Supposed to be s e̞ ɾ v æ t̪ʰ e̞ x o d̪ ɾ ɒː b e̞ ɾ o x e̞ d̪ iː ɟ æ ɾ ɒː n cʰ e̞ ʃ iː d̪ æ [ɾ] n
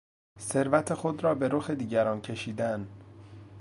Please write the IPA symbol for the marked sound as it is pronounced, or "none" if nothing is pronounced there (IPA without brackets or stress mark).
none